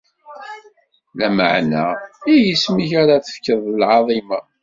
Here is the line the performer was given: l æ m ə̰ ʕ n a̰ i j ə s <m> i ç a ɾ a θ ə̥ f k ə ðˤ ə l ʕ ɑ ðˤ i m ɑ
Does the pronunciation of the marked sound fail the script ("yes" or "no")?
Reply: no